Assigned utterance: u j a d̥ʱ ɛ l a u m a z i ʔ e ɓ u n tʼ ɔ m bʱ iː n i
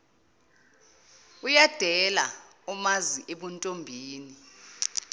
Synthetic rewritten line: u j a d̥ʱ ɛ l a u m a z i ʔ e ɓ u n tʼ o m bʱ iː n i